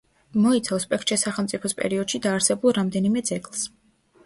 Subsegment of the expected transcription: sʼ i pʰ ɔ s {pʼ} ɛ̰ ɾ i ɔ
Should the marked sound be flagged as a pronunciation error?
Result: no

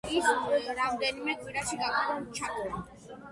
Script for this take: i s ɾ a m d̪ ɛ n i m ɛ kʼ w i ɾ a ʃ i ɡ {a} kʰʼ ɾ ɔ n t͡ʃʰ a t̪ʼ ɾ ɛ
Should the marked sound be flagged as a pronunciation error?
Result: no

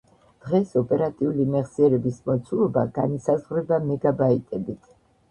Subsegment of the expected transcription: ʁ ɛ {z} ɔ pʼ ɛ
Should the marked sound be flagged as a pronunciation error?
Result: yes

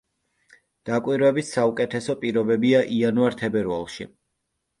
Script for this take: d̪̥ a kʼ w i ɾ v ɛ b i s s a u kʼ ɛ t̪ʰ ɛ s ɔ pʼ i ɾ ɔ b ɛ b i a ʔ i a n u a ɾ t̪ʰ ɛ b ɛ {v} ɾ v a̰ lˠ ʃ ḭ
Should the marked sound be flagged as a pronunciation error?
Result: yes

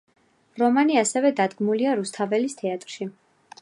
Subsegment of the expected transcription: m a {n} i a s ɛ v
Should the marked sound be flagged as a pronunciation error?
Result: no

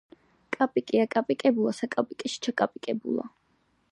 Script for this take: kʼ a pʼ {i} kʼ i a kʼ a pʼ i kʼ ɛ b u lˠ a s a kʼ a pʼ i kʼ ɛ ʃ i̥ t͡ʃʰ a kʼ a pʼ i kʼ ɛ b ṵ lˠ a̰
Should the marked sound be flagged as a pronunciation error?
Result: no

